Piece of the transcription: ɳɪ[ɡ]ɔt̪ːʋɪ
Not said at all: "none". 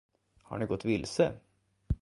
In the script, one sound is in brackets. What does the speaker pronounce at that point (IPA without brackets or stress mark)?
ɡ